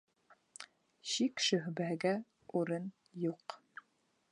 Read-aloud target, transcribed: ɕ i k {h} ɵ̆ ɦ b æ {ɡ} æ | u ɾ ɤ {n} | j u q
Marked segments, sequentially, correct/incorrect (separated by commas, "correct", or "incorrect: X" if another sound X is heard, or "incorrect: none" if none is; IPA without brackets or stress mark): incorrect: ʃ, correct, correct